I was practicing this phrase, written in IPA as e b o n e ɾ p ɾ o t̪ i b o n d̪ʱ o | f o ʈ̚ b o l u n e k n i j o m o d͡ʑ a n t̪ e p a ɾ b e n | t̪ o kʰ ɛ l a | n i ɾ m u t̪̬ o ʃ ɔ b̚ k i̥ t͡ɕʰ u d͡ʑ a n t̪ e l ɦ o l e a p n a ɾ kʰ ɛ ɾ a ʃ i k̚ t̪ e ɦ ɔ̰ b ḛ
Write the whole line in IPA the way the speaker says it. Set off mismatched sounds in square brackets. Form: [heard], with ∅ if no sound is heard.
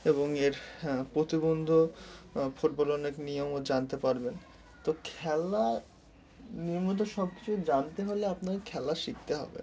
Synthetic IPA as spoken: e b o [ŋ] e ɾ p ɾ o t̪ i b o n d̪ʱ o | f o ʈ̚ b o l [ɔ] n e k n i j o m o d͡ʑ a n t̪ e p a ɾ b e n | t̪ o kʰ ɛ l a | n i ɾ m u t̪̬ o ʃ ɔ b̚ k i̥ t͡ɕʰ u d͡ʑ a n t̪ e [∅] ɦ o l e a p n a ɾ kʰ ɛ [l] a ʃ i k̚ t̪ e ɦ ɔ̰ b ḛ